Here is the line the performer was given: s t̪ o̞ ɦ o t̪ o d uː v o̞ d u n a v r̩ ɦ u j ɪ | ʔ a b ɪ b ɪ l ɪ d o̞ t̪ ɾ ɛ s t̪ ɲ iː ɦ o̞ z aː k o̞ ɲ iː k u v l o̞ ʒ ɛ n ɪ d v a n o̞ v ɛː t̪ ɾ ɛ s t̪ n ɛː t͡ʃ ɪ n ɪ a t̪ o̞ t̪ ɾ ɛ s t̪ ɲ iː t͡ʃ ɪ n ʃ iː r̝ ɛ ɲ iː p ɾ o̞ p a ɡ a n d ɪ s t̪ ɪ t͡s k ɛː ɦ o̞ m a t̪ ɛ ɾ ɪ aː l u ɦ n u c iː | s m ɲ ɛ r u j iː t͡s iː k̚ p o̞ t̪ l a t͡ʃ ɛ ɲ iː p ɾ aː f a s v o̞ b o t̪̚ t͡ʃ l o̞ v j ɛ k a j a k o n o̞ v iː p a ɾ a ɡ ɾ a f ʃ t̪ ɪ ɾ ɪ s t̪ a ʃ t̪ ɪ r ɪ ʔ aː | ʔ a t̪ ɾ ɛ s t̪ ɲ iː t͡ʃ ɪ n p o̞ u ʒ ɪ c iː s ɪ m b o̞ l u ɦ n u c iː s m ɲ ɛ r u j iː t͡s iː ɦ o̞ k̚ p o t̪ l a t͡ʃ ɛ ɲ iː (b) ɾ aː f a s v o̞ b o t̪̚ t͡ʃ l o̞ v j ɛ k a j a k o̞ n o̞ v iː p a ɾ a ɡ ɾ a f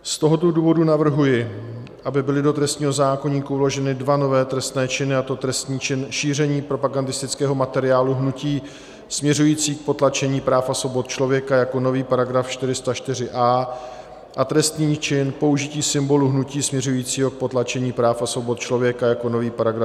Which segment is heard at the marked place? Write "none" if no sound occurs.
p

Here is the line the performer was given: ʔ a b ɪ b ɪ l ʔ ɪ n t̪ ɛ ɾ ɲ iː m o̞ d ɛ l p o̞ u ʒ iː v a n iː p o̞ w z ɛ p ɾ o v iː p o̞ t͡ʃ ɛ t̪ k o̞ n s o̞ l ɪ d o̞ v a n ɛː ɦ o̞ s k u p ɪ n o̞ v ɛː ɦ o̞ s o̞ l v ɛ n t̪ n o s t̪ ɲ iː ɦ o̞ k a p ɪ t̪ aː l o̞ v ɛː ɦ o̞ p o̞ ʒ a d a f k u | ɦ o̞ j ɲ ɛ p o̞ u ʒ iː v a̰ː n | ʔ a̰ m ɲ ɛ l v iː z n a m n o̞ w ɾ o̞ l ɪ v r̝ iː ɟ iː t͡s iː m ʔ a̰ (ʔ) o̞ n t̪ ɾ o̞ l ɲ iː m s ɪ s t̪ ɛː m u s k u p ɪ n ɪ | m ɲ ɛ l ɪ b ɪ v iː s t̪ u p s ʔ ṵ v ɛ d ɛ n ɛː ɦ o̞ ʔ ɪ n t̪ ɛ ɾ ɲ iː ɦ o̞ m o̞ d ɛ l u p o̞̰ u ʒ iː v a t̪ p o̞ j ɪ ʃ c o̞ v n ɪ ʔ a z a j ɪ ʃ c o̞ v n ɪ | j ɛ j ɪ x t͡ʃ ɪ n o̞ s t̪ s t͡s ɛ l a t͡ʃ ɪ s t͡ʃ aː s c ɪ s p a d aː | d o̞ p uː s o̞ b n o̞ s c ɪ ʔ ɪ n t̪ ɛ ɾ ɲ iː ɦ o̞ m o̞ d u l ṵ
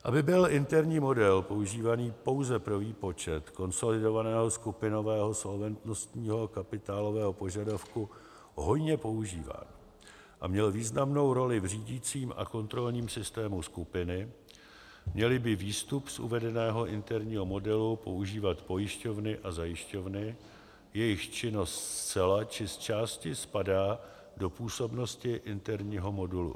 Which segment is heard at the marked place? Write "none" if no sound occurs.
k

